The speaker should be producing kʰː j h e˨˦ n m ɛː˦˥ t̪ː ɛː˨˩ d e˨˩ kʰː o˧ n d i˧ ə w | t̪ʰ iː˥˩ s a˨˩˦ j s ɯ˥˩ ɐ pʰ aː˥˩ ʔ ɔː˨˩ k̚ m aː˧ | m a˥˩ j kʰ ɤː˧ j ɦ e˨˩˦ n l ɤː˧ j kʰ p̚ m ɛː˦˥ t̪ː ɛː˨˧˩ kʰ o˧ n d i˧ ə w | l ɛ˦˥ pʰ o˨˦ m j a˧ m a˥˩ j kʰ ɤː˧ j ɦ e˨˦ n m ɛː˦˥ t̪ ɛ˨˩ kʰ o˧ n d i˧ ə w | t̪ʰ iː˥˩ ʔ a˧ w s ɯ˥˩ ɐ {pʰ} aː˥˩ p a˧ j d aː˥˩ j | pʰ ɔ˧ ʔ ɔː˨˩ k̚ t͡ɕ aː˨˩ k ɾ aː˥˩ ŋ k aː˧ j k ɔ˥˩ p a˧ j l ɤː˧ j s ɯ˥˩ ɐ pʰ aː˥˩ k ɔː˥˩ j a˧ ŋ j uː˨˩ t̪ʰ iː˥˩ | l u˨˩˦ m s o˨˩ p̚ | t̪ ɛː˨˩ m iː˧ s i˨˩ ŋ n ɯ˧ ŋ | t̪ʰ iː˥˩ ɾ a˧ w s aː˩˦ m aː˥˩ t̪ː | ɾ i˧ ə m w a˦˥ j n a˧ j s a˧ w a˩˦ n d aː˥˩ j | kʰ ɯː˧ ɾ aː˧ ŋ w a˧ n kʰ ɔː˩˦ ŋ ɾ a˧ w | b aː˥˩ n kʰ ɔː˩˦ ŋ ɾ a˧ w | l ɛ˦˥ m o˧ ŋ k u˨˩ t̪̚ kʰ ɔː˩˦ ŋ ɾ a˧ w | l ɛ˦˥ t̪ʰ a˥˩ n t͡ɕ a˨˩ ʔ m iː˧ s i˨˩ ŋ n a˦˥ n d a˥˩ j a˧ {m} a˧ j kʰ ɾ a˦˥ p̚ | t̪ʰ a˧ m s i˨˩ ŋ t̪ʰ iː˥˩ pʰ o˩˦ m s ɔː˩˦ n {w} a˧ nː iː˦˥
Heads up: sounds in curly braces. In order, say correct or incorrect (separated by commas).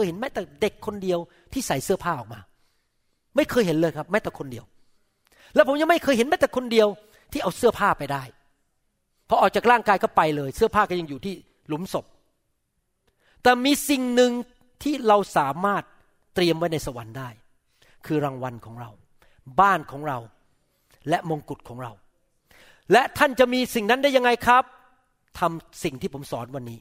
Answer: correct, incorrect, correct